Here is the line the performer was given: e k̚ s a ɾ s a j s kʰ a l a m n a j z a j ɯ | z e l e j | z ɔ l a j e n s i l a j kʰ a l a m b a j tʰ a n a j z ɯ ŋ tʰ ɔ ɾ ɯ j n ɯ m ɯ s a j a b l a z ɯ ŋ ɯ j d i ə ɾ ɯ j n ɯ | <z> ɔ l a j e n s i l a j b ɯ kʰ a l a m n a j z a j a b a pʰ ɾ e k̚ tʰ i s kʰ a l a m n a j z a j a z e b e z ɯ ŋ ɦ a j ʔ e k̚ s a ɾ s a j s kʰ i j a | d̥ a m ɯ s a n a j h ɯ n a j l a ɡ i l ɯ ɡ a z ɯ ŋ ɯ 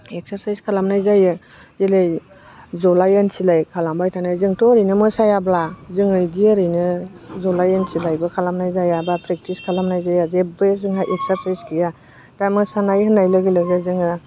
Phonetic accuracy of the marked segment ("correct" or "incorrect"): correct